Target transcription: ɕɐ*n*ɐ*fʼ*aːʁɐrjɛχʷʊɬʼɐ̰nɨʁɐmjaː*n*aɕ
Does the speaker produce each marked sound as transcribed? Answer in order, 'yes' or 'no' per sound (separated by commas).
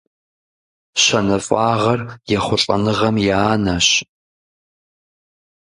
yes, yes, yes